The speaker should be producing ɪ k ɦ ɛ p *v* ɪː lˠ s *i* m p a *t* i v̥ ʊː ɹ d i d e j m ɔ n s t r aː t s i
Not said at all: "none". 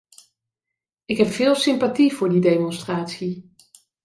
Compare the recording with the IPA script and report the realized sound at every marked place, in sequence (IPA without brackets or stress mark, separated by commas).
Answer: f, ɪ, t